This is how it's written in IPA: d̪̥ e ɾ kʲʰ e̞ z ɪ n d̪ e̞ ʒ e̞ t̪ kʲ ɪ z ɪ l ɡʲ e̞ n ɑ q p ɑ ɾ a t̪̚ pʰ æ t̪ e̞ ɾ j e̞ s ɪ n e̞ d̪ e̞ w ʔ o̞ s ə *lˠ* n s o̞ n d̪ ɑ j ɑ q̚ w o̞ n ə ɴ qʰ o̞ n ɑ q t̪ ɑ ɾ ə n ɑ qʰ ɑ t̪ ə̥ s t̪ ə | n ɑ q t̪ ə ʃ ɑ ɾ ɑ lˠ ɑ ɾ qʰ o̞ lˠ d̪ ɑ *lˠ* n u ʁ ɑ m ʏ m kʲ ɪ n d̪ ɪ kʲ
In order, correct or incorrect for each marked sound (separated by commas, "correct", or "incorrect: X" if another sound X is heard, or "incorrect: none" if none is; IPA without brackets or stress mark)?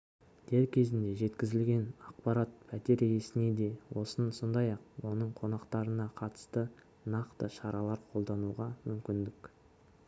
incorrect: none, incorrect: none